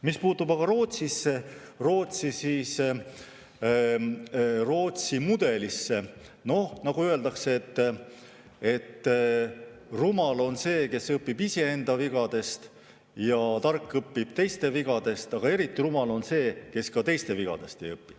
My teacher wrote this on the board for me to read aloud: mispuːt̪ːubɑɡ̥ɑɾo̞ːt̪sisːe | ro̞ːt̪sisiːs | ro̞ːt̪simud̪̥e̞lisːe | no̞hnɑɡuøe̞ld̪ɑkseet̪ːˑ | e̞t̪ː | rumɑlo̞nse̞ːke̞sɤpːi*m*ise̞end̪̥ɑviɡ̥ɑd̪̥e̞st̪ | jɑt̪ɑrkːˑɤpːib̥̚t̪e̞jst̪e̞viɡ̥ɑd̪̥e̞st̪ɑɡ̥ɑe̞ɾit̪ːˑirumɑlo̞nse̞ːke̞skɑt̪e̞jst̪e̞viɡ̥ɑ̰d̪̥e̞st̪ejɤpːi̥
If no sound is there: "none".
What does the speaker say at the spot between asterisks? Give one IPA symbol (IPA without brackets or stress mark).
b